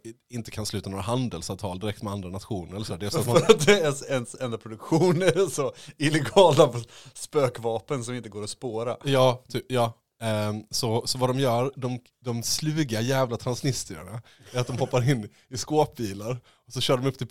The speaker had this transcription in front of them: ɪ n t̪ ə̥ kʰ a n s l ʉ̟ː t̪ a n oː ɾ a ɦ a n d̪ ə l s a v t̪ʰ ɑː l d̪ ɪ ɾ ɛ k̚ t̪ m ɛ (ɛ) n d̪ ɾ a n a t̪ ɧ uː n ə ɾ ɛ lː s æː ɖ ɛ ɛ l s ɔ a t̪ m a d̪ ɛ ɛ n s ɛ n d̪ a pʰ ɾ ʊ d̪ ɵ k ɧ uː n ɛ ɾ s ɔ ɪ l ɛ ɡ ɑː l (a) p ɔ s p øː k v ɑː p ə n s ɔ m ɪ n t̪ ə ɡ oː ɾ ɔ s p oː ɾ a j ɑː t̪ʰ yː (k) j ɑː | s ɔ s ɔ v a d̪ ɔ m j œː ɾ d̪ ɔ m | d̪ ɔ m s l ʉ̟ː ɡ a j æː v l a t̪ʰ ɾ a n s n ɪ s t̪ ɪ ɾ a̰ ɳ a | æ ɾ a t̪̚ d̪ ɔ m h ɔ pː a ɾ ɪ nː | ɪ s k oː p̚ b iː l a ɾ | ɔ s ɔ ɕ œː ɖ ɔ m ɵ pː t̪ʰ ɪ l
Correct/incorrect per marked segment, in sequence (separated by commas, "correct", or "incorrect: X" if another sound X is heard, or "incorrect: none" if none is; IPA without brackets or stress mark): incorrect: a, correct, incorrect: p